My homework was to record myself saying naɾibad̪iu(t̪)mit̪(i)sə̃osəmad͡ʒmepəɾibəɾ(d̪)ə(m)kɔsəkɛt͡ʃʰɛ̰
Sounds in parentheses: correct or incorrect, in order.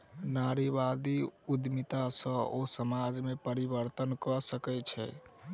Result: incorrect: d̪, incorrect: a, incorrect: t̪, incorrect: n

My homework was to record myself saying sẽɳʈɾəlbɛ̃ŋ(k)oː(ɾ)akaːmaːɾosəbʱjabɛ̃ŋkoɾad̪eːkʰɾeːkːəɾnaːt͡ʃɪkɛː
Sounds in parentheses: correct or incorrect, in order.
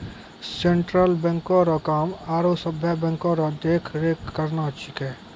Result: correct, correct

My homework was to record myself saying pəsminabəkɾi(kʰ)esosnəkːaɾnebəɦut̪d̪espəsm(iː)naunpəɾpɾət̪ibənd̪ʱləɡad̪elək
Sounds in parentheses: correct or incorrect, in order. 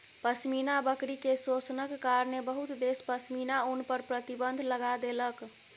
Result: incorrect: k, incorrect: i

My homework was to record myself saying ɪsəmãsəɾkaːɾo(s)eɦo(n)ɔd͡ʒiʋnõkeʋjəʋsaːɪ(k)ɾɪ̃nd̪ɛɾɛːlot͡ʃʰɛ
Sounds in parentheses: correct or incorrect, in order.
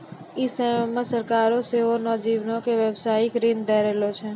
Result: correct, correct, correct

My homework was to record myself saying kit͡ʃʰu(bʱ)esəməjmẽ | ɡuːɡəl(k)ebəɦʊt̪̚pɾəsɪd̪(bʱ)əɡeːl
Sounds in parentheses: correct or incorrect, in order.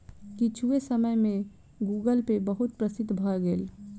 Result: incorrect: none, incorrect: p, correct

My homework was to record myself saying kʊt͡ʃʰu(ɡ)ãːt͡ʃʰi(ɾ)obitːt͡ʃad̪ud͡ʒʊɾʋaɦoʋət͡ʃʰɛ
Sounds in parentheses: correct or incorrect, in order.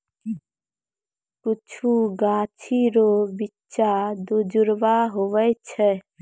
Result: correct, correct

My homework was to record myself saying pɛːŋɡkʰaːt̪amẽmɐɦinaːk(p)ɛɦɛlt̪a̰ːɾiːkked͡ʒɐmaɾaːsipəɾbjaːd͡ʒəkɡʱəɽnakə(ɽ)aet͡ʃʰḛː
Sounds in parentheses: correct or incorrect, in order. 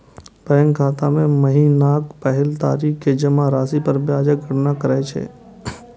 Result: correct, incorrect: ɾ

